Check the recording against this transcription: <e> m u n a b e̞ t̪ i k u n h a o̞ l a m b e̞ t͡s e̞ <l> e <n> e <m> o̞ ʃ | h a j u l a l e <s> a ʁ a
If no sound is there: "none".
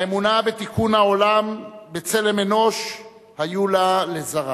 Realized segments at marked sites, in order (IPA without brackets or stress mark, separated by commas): e, l, m, n, z